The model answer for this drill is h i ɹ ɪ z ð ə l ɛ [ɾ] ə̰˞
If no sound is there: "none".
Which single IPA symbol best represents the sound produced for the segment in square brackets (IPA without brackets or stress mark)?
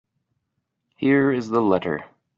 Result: ɾ